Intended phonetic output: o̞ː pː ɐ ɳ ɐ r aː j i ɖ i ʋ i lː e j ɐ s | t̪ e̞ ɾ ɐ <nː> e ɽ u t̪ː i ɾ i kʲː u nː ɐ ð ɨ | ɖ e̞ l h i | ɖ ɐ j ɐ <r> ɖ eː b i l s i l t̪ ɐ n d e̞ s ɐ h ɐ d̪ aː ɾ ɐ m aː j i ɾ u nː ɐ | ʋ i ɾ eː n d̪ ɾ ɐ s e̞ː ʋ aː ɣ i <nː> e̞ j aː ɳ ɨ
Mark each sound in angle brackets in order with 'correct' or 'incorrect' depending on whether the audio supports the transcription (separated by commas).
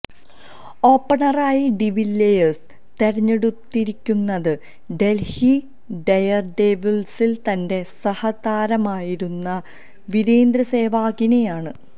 incorrect, correct, incorrect